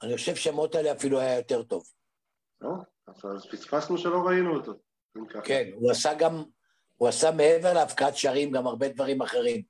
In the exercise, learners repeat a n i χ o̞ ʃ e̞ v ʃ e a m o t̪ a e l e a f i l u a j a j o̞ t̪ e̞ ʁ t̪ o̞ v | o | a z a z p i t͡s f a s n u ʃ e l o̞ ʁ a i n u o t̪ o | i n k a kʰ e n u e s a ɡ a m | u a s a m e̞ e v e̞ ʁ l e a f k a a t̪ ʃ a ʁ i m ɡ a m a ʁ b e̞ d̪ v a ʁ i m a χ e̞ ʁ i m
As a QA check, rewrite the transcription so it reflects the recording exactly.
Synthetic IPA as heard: a n i χ o̞ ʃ e̞ v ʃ e a m o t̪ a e l e a f i l u a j a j o̞ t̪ e̞ ʁ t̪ o̞ v | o | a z a z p i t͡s f a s n u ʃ e l o̞ ʁ a i n u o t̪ o | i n k a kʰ e n u a s a ɡ a m | u a s a m e̞ e v e̞ ʁ l e a f k a a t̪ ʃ a ʁ i m ɡ a m a ʁ b e̞ d̪ v a ʁ i m a χ e̞ ʁ i m